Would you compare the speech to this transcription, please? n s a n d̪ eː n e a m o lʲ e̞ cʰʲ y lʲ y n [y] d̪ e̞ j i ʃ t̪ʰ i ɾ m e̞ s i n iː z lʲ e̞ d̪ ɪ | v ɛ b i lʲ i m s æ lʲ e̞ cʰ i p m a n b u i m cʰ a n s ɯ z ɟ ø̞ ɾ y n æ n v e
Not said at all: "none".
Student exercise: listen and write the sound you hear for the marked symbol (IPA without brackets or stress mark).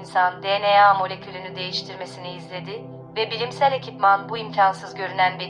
y